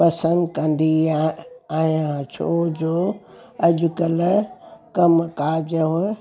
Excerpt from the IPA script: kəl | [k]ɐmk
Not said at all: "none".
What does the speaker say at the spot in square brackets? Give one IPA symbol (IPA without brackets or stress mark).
k